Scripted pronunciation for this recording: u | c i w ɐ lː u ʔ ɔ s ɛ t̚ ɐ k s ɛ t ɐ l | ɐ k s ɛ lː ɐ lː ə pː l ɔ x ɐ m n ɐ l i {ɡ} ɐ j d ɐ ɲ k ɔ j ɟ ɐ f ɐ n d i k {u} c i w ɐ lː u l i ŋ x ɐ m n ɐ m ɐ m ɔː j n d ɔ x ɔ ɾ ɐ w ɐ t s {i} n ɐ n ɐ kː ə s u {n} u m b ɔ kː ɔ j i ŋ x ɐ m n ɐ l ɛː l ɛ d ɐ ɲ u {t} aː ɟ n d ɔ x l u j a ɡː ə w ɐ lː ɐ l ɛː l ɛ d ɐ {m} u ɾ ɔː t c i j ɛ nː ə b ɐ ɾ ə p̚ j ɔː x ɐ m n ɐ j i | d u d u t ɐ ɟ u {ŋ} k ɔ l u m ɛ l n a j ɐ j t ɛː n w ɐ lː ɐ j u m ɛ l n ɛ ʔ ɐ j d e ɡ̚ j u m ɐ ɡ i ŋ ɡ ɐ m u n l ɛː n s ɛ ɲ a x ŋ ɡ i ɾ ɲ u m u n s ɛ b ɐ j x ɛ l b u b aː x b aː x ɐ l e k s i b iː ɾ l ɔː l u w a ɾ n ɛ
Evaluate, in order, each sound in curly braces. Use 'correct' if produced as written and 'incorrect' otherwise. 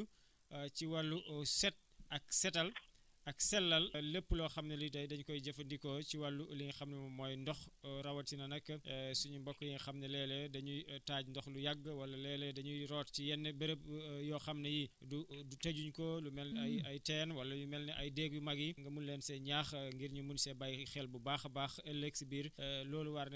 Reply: incorrect: d, incorrect: ɔ, correct, incorrect: ɲ, correct, incorrect: ɲ, incorrect: ɲ

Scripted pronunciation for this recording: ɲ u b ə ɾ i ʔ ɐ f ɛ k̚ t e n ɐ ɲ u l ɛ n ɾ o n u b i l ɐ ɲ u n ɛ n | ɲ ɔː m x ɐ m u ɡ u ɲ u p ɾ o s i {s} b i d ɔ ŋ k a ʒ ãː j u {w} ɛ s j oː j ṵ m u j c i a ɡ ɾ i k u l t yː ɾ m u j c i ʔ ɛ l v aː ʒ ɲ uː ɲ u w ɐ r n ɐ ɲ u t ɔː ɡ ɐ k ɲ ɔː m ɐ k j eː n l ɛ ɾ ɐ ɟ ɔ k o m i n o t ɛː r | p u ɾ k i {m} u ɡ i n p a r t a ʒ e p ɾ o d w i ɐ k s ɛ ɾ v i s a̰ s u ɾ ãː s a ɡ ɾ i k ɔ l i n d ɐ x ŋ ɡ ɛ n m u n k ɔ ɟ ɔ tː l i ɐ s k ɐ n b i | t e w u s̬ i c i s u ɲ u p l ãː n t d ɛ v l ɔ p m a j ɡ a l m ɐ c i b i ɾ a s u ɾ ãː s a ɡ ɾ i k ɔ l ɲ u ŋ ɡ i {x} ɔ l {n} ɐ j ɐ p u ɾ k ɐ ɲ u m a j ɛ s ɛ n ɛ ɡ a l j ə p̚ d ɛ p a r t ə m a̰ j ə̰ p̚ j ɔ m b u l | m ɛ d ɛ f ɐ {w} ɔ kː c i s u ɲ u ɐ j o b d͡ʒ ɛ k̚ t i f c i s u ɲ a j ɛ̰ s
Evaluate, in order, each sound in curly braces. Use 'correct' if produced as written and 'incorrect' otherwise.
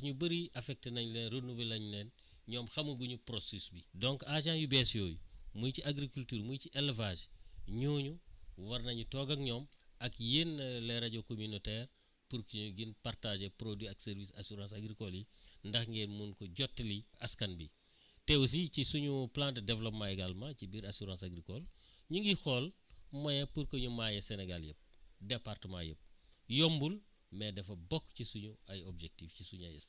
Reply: correct, incorrect: b, incorrect: ɲ, correct, incorrect: m, incorrect: b

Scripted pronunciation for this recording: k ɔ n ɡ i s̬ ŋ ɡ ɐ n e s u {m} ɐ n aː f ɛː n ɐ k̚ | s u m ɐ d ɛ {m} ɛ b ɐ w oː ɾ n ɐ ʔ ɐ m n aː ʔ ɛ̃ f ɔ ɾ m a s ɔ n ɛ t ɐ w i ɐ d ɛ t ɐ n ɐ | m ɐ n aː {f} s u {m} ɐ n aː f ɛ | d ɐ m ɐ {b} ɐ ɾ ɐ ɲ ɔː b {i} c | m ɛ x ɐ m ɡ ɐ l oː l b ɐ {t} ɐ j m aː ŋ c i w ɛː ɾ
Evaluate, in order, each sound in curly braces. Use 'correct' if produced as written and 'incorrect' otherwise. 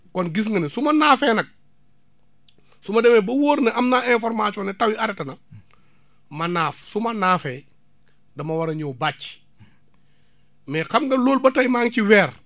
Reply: correct, correct, correct, correct, incorrect: w, incorrect: a, correct

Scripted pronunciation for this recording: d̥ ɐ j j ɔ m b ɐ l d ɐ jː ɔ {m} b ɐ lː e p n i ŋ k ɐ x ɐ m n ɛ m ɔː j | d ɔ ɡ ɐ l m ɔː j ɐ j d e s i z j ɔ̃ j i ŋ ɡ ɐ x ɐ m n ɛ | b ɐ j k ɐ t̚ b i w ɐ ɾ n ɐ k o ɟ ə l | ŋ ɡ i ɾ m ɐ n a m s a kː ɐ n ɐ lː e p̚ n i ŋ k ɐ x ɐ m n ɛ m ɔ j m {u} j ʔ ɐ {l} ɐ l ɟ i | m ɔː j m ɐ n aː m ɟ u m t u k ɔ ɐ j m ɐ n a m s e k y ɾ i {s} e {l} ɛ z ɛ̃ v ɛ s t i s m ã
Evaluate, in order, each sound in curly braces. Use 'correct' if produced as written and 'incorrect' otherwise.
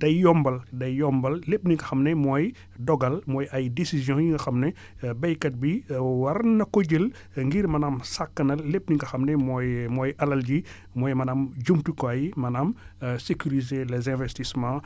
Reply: correct, incorrect: ɔ, correct, incorrect: z, correct

